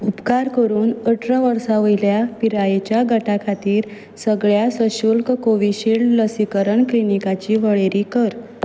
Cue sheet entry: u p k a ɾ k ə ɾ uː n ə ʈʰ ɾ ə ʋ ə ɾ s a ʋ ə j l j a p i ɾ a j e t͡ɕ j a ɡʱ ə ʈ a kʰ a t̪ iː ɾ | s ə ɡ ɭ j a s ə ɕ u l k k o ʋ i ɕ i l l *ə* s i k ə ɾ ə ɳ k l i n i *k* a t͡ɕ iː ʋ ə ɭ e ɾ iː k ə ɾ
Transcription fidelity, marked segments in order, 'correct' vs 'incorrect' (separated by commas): correct, correct